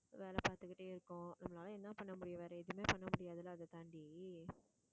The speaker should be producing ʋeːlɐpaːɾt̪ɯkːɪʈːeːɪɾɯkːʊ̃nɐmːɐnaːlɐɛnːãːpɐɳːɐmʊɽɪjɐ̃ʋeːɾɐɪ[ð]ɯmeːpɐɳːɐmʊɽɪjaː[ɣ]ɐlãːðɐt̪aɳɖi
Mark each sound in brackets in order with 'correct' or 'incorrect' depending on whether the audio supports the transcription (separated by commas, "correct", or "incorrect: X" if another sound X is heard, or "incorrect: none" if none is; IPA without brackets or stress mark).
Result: correct, incorrect: ð